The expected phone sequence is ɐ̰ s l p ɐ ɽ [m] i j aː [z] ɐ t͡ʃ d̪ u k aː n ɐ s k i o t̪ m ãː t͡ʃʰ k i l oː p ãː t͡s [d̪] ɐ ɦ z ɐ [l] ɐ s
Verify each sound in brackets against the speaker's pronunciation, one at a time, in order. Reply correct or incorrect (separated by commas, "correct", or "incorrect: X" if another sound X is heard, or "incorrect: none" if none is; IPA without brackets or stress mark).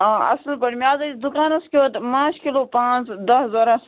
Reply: correct, correct, correct, incorrect: ɾ